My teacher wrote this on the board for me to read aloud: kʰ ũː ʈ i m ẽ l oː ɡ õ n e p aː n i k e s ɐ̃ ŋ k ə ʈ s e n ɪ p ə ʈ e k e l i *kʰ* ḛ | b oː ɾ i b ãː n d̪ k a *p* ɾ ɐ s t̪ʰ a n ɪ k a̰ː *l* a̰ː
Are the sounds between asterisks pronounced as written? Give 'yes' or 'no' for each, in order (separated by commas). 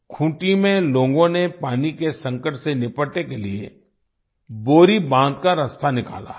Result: no, no, yes